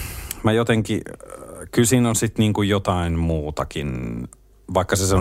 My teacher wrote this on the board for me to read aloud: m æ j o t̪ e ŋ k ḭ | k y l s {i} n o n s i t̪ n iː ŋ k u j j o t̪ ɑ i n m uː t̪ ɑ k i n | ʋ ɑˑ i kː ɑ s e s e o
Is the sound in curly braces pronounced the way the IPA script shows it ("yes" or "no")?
no